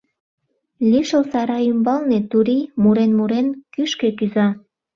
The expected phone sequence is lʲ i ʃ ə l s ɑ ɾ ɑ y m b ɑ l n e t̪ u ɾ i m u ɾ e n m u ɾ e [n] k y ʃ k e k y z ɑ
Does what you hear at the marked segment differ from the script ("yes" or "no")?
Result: no